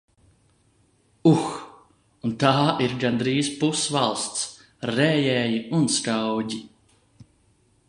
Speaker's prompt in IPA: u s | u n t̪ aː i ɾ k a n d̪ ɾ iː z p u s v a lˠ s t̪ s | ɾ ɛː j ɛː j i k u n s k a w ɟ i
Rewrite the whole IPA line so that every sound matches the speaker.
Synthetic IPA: u x | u n t̪ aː i ɾ ɡ a n d̪ ɾ iː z p u s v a lˠ s t̪ s | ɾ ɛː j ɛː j i u n s k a w ɟ i